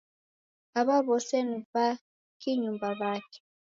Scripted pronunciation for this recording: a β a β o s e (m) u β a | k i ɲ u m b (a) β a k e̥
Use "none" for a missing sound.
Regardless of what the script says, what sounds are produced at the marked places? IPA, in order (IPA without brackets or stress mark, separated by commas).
n, a